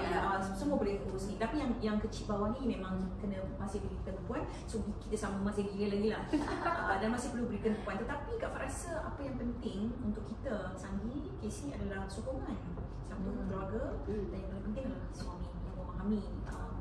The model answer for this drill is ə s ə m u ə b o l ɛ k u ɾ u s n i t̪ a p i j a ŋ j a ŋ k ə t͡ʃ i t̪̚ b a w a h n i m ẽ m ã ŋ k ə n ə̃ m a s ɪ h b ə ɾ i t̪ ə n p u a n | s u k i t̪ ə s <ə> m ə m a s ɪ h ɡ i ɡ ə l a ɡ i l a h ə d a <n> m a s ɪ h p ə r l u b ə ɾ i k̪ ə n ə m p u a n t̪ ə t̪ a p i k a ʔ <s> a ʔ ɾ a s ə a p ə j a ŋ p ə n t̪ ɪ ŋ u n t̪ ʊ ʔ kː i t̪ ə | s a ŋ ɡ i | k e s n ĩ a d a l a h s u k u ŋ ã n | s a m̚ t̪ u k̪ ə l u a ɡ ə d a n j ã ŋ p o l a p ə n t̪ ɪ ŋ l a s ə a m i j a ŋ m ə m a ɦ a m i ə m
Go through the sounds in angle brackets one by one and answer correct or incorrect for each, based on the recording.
incorrect: a, correct, incorrect: f

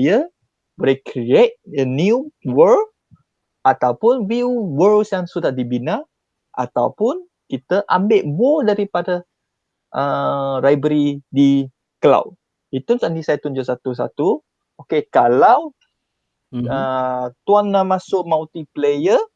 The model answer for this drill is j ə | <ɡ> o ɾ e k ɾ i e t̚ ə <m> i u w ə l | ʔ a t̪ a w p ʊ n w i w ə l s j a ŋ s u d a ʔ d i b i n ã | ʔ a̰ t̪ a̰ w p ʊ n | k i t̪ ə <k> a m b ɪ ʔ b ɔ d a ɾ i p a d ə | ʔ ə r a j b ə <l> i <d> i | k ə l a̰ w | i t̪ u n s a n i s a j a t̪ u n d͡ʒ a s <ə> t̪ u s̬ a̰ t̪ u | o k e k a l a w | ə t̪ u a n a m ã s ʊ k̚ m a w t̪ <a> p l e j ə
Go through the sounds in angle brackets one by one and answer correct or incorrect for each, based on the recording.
incorrect: b, incorrect: n, incorrect: ʔ, incorrect: ɾ, correct, incorrect: a, incorrect: i

